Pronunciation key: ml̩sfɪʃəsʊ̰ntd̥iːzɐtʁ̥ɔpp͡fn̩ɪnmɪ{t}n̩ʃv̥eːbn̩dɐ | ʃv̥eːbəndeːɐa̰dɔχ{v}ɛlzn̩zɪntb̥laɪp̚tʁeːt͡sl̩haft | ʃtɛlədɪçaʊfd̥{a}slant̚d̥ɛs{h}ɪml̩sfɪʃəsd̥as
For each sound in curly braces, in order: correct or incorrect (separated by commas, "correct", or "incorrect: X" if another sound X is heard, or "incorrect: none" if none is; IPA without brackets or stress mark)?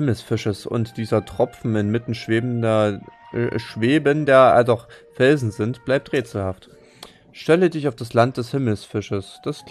correct, incorrect: f, correct, correct